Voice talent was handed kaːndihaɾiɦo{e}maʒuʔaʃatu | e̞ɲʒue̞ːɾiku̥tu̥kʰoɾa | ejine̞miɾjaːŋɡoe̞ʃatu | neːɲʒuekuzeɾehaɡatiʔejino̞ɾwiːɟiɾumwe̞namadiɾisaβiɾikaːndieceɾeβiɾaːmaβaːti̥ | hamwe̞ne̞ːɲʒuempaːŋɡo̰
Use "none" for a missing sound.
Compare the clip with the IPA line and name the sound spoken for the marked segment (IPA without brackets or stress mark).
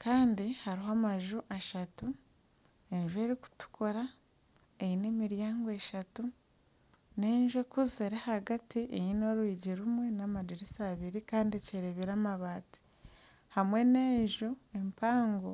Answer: a